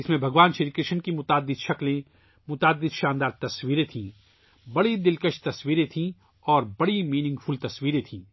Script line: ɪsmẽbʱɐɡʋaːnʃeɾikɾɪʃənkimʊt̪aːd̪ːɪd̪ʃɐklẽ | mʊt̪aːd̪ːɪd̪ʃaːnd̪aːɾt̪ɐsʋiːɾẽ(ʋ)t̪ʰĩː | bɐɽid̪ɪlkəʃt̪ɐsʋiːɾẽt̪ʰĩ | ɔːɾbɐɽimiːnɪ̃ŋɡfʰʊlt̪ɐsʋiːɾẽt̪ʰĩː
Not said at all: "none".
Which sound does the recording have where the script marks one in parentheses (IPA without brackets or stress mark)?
none